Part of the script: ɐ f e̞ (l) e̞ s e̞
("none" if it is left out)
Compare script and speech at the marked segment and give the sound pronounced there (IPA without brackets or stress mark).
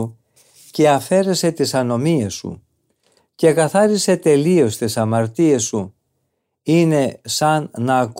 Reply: ɾ